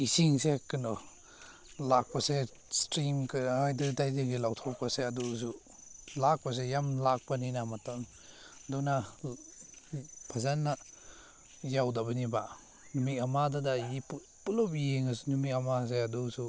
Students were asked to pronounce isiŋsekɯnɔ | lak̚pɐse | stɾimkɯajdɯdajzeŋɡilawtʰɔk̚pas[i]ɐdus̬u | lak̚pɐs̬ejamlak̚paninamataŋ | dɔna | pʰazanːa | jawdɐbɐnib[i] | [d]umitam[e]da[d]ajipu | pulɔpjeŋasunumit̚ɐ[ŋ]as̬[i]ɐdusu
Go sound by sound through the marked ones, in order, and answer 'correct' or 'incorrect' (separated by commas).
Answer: incorrect, incorrect, incorrect, incorrect, correct, incorrect, incorrect